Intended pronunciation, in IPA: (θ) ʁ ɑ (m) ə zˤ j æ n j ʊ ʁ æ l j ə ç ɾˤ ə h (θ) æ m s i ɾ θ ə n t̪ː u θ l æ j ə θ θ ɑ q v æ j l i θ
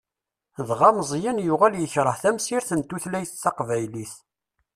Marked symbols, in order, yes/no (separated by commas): no, yes, yes